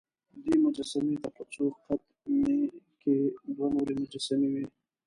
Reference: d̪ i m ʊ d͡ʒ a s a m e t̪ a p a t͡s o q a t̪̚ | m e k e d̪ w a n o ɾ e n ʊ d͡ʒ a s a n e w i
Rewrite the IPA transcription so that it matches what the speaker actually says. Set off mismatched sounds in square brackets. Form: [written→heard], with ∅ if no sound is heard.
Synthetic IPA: d̪ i m ʊ d͡ʒ a s a m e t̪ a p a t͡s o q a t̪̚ | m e k e d̪ w a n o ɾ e [n→m] ʊ d͡ʒ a s a [n→m] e w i